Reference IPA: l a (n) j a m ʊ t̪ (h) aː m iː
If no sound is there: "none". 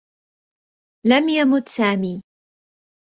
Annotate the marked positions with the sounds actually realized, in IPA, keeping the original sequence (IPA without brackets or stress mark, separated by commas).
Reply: m, s